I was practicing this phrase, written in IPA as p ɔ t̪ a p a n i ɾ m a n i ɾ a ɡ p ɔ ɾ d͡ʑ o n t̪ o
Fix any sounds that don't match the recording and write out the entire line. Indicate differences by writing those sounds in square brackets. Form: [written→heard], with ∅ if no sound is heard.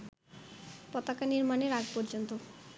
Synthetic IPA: p ɔ t̪ a [p→k] a n i ɾ m a n [i→e] ɾ a ɡ p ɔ ɾ d͡ʑ o n t̪ o